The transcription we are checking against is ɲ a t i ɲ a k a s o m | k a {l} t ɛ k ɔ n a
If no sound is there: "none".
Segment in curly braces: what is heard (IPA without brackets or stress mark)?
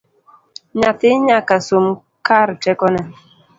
ɾ